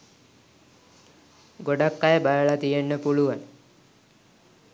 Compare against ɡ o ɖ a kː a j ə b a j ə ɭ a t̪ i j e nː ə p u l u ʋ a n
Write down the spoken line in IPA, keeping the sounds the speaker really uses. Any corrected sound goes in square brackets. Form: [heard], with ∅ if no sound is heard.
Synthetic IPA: ɡ o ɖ a kː a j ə b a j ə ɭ a t̪ i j e nː ə p u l u ʋ a n